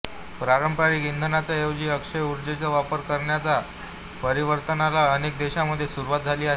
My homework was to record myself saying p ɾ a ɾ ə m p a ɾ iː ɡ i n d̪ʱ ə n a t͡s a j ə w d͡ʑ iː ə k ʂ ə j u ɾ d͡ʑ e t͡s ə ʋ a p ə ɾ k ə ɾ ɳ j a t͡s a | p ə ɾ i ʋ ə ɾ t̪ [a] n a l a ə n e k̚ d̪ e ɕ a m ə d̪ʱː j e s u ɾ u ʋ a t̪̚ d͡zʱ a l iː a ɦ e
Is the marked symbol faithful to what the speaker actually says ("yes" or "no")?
no